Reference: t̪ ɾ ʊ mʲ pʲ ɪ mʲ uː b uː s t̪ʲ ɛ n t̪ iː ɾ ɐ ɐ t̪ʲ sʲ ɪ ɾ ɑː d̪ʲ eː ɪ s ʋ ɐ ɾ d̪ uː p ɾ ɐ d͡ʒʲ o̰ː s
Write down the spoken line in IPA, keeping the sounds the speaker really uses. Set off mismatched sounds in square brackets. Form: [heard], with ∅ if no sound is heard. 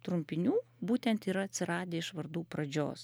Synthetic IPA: t̪ ɾ ʊ mʲ pʲ ɪ [nʲ] uː b uː [∅] t̪ʲ ɛ n t̪ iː ɾ ɐ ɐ t̪ʲ sʲ ɪ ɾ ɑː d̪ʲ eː ɪ [ʃ] ʋ ɐ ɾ d̪ uː p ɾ ɐ d͡ʒʲ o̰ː s